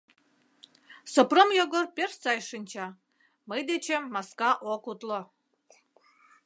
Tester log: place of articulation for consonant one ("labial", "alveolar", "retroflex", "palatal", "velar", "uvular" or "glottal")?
alveolar